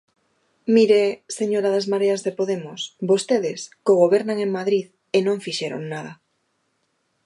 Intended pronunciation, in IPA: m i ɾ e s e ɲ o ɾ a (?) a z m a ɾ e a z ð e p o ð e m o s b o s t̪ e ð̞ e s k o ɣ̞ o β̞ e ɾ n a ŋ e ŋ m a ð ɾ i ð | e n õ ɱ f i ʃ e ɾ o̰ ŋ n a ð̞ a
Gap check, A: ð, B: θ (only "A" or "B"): A